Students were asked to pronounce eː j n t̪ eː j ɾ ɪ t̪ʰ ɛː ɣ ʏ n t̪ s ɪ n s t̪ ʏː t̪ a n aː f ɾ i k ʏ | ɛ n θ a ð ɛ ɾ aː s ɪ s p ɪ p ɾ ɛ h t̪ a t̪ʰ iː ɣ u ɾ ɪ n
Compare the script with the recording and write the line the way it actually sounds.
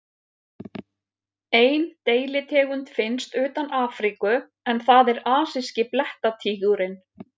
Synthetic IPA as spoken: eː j n t̪ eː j l ɪ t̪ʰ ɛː ɣ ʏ n t̪ f ɪ n s t̪ ʏː t̪ a n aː f ɾ i k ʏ | ɛ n θ a ð ɛ ɾ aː s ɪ s c ɪ p l ɛ h t̪ a t̪ʰ iː ɣ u ɾ ɪ n